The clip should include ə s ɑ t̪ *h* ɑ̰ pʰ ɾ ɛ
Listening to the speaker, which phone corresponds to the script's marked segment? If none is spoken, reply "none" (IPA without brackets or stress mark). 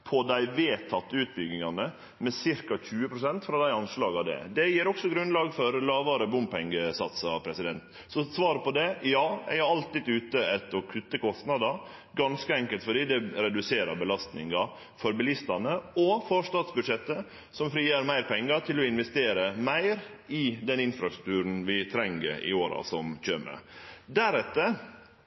s